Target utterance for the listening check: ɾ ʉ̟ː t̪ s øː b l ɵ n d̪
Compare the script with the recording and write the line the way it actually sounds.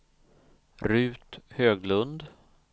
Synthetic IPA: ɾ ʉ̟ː t̪ h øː ɡ l ɵ n d̪